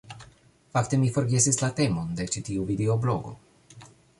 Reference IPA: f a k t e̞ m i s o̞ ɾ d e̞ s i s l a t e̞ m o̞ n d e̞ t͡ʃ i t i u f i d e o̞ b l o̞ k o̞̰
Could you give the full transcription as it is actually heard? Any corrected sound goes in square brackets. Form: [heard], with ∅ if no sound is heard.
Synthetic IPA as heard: f a k t e̞ m i [f] o̞ ɾ [ɡ] e̞ s i s l a t e̞ m o̞ n d e̞ t͡ʃ i t i u [v] i d e o̞ b l o̞ [ɡ] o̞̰